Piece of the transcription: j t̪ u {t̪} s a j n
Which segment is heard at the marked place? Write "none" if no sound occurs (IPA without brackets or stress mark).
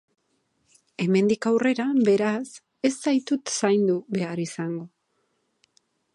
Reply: t̪